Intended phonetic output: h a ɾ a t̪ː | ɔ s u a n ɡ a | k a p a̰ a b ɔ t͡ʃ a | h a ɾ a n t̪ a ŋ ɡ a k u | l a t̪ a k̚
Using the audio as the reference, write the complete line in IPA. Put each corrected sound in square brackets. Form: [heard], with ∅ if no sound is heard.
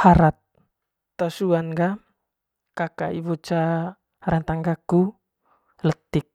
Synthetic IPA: h a ɾ a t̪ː | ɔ s u a n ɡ a | k a [k] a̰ [i] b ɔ t͡ʃ a | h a ɾ a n t̪ a ŋ ɡ a k u | l [ə] t̪ [i] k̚